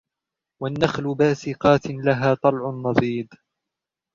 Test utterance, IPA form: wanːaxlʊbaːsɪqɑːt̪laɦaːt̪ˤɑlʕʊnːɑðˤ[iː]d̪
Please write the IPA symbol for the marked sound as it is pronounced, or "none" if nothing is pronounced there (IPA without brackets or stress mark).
iː